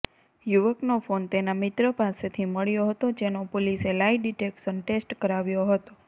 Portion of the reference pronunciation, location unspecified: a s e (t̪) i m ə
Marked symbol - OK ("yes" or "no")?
no